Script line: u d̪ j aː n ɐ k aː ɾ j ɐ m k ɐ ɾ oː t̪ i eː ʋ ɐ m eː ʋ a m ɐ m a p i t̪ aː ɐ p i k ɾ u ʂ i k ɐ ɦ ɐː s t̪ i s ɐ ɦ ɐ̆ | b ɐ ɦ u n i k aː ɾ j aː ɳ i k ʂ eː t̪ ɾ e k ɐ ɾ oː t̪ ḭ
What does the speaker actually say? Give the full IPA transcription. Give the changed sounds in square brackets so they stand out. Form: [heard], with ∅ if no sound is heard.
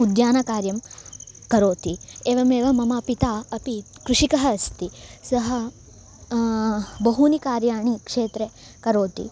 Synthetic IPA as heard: u d̪ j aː n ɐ k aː ɾ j ɐ m k ɐ ɾ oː t̪ i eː ʋ ɐ m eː ʋ [ɐ] m ɐ m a p i t̪ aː ɐ p i k ɾ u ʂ i k ɐ ɦ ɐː s t̪ i s ɐ ɦ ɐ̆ | b ɐ ɦ u n i k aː ɾ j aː ɳ i k ʂ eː t̪ ɾ e k ɐ ɾ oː t̪ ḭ

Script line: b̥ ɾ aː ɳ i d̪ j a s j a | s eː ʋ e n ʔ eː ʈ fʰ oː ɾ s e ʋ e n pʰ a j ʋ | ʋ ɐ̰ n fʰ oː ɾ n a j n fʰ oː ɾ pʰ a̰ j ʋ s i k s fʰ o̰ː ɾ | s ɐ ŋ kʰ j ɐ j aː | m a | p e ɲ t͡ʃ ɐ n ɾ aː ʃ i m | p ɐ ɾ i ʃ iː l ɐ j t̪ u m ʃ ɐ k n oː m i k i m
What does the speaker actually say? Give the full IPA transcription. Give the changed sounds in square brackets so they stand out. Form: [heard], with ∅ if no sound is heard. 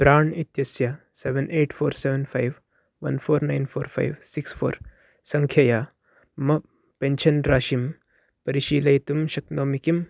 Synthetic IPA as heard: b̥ ɾ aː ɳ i [t̪] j [ɐ] s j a | s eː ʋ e n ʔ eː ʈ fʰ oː ɾ s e ʋ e n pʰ a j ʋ | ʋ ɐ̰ n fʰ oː ɾ n a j n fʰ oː ɾ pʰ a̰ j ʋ s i k s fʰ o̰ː ɾ | s ɐ ŋ kʰ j ɐ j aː | m [ɐ] | p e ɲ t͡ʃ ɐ n ɾ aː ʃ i m | p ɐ ɾ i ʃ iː l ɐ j t̪ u m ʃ ɐ k n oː m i k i m

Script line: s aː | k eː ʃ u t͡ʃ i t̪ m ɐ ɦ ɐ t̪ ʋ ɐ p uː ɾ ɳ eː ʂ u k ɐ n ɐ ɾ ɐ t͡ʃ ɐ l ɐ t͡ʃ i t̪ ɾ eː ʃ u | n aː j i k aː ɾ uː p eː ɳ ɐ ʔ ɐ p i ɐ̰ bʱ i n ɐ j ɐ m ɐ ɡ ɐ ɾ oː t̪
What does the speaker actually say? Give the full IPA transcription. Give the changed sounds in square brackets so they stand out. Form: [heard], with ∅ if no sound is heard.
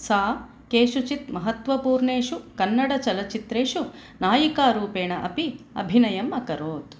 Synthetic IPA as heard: s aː | k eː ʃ u t͡ʃ i t̪ m ɐ ɦ ɐ t̪ ʋ ɐ p uː ɾ ɳ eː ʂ u k ɐ [nː] ɐ [ɽ] ɐ t͡ʃ ɐ l ɐ t͡ʃ i t̪ ɾ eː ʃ u | n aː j i k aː ɾ uː p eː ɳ ɐ ʔ ɐ p i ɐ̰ bʱ i n ɐ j ɐ m ɐ [k] ɐ ɾ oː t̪

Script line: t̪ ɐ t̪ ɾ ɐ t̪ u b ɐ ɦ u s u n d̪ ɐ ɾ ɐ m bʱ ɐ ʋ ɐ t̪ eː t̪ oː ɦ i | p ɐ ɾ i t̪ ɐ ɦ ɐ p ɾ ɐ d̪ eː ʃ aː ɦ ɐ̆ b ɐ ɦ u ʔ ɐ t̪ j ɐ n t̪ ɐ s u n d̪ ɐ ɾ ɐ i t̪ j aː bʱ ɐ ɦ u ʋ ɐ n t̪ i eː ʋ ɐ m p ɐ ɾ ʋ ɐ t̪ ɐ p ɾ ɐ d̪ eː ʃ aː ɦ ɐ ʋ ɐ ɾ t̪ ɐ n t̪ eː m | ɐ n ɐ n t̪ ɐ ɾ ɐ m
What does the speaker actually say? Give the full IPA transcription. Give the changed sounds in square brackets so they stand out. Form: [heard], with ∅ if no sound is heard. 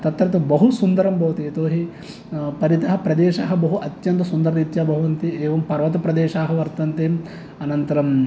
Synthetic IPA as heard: t̪ ɐ t̪ ɾ ɐ t̪ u b ɐ ɦ u s u n d̪ ɐ ɾ ɐ m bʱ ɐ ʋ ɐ t̪ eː t̪ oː ɦ i | p ɐ ɾ i t̪ ɐ ɦ ɐ p ɾ ɐ d̪ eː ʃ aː ɦ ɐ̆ b ɐ ɦ u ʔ ɐ t̪ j ɐ n t̪ ɐ s u n d̪ ɐ ɾ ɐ i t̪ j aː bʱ ɐ ɦ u ʋ ɐ n t̪ i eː ʋ ɐ m p ɐ ɾ ʋ ɐ t̪ ɐ p ɾ ɐ d̪ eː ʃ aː ɦ ɐ ʋ ɐ ɾ t̪ ɐ n t̪ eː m | ɐ n ɐ n t̪ ɐ ɾ ɐ m

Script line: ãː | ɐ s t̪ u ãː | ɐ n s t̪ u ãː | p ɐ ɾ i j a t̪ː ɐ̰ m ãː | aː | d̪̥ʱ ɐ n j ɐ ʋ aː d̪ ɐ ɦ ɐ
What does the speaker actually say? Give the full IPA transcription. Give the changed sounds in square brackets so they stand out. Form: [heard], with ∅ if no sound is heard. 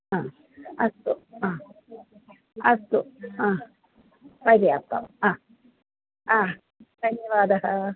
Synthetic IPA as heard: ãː | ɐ s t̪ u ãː | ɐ [∅] s t̪ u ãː | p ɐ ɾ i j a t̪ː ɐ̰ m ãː | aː | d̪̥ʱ ɐ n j ɐ ʋ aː d̪ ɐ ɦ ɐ

